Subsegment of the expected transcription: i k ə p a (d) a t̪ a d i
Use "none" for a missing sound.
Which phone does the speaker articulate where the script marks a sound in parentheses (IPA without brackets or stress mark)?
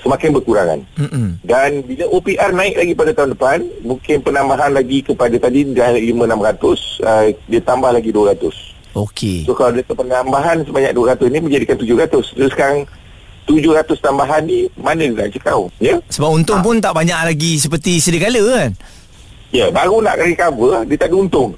d